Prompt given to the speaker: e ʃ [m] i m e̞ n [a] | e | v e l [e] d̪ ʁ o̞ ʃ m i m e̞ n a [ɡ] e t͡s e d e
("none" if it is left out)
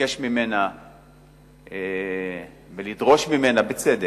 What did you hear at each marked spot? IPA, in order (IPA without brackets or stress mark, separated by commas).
m, a, i, b